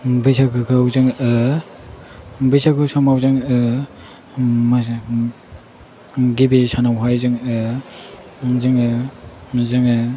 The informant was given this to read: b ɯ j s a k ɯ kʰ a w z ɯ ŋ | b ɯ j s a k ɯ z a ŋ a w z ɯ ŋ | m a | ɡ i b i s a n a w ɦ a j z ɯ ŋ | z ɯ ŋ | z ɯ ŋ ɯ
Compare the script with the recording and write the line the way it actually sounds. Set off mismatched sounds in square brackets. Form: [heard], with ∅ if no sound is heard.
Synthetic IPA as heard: b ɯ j s a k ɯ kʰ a w z ɯ ŋ | b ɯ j s a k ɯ [s] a [m] a w z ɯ ŋ | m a | ɡ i b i s a n a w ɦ a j z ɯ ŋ | z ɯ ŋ | z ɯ ŋ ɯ